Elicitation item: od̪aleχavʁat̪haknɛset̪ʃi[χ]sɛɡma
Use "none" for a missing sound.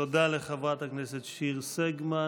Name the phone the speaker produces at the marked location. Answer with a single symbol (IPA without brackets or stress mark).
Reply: ʁ